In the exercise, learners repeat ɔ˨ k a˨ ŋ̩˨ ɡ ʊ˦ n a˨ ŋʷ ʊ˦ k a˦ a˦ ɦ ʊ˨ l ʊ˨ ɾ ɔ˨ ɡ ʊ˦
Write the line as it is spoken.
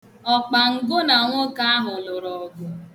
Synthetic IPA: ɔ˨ k͡p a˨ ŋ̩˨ ɡ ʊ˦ n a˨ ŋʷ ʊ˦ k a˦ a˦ ɦ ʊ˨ l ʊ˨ ɾ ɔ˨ ɡ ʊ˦